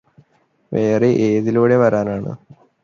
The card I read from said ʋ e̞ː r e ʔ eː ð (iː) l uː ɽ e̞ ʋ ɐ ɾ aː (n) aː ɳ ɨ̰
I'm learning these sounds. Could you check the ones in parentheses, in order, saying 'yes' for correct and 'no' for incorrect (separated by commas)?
no, yes